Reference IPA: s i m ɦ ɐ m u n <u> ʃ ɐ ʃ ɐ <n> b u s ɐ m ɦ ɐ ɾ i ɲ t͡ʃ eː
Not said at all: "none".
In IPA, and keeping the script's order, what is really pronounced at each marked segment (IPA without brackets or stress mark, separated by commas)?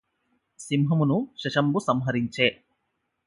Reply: u, m